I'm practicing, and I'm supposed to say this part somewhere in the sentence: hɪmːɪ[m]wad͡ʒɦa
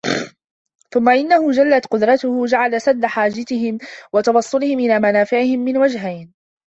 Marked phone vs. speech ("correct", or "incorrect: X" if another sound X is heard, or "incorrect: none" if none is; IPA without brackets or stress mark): incorrect: n